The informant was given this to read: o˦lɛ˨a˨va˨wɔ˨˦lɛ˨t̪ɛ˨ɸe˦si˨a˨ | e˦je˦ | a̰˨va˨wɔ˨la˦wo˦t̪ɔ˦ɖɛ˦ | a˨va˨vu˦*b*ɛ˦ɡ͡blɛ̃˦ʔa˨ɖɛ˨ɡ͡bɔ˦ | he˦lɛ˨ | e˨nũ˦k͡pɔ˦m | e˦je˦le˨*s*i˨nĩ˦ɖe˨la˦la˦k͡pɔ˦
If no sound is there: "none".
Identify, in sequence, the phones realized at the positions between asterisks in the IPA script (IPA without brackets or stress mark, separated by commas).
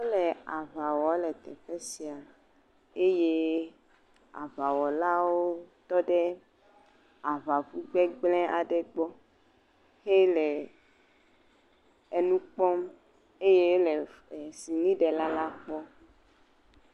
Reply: ɡ͡b, s